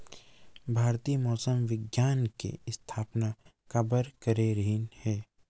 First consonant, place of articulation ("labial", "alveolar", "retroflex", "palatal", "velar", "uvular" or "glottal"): labial